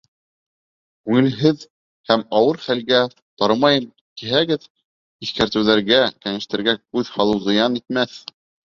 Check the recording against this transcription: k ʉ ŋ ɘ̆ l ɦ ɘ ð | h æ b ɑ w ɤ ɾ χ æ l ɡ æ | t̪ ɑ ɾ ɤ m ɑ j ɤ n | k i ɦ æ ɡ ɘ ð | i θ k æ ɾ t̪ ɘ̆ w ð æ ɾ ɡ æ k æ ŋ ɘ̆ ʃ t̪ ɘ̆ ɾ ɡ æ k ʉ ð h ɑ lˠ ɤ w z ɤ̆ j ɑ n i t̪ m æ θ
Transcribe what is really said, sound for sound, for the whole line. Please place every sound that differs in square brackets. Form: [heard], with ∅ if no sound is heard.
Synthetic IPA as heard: k ʉ ŋ ɘ̆ l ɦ ɘ ð | h æ [m] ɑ w ɤ ɾ χ æ l ɡ æ | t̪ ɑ ɾ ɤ m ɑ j ɤ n | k i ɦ æ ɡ ɘ ð | i θ k æ ɾ t̪ ɘ̆ w ð æ ɾ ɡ æ k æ ŋ ɘ̆ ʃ t̪ ɘ̆ ɾ ɡ æ k ʉ ð h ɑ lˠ ɤ w z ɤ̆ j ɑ n i t̪ m æ θ